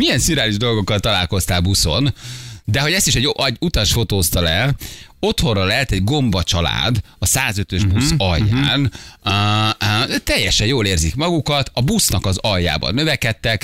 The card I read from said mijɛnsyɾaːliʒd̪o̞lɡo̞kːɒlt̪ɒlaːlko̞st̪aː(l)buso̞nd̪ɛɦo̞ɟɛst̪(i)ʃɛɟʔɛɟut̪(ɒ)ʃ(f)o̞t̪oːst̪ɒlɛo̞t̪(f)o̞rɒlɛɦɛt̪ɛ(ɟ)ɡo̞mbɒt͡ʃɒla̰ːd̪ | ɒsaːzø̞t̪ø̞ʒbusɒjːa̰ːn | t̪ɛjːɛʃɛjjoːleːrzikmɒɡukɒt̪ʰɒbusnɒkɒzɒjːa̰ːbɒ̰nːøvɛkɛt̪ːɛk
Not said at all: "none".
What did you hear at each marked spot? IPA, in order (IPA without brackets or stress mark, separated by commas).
l, i, ɒ, f, h, ɟ